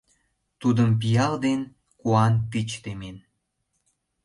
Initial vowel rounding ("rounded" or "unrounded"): rounded